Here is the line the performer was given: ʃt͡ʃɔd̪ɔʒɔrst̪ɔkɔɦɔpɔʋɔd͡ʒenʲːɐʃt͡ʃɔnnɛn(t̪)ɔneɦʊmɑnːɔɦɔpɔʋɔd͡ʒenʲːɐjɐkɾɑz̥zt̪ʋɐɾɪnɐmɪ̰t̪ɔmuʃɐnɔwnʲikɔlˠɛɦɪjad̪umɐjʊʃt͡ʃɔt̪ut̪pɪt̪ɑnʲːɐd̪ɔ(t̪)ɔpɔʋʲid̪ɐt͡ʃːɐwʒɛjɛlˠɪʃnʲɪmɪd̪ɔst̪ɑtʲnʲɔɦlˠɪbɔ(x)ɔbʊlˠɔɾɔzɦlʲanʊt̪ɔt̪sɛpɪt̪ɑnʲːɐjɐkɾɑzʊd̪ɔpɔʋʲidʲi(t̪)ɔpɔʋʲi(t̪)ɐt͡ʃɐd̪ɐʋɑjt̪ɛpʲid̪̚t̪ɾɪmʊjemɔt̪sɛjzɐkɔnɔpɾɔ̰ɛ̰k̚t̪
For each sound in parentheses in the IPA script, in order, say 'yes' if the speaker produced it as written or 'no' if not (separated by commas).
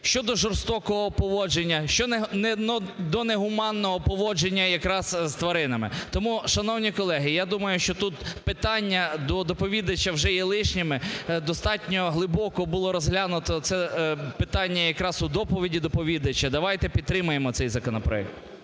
no, no, no, no, no